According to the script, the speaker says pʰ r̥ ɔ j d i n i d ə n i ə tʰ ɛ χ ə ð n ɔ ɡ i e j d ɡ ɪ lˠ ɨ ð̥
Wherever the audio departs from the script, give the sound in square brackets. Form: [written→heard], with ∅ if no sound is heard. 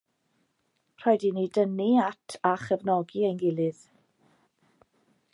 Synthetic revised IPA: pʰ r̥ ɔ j d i n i d ə n i [ə→a] tʰ [ɛ→a] χ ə [ð→v] n ɔ ɡ i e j [d→n] ɡ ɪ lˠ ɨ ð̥